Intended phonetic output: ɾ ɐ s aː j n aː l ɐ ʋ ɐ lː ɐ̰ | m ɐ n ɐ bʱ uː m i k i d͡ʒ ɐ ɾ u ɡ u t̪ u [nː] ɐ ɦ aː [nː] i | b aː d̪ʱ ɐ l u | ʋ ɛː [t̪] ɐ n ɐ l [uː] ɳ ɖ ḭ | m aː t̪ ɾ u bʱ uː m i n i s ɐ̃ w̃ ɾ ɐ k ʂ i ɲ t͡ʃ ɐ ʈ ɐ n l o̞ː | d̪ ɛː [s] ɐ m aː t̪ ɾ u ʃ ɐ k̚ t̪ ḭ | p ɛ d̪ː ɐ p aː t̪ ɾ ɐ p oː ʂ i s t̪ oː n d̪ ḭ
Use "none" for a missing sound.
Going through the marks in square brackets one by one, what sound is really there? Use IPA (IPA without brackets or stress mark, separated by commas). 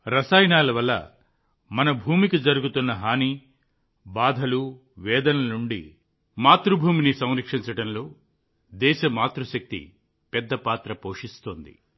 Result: nː, n, d̪, u, ʃ